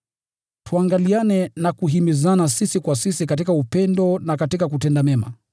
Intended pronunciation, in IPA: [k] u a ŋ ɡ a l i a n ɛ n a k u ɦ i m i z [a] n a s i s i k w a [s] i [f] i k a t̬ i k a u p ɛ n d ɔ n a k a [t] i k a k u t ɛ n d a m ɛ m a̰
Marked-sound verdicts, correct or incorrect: incorrect, correct, correct, incorrect, correct

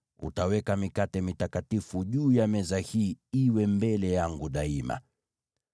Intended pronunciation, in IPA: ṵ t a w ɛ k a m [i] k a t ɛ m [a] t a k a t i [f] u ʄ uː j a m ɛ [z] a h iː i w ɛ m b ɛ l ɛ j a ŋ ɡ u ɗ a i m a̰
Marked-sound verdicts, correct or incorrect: correct, incorrect, correct, correct

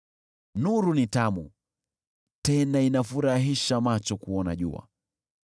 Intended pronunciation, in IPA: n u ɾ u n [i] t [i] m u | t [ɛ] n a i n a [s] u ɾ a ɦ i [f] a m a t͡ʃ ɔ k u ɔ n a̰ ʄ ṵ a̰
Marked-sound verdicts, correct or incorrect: correct, incorrect, correct, incorrect, incorrect

